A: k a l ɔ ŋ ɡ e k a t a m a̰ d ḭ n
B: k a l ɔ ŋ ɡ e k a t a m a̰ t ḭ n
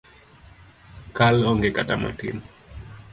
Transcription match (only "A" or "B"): B